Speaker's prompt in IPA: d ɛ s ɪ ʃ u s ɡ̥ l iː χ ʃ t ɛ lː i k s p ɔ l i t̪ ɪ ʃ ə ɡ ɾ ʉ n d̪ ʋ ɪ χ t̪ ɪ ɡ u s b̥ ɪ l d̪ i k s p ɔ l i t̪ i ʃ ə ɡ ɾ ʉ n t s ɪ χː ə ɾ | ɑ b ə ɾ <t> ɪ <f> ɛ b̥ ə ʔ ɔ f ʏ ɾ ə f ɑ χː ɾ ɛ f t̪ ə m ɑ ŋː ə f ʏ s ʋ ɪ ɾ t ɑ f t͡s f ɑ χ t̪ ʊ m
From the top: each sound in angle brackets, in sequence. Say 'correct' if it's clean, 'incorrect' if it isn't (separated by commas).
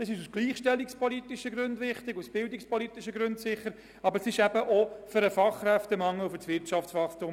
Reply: incorrect, incorrect